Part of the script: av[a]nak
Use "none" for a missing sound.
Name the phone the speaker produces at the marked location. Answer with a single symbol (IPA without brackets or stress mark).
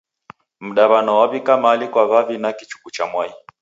i